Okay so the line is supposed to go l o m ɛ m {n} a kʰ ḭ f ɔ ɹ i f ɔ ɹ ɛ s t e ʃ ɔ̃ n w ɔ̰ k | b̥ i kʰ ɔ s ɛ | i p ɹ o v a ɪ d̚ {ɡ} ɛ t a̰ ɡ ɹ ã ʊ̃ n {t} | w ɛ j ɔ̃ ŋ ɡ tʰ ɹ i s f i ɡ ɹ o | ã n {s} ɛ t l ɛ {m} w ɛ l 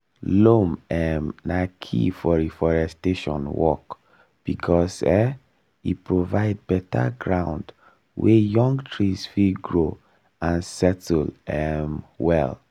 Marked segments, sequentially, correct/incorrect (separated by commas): correct, incorrect, incorrect, correct, correct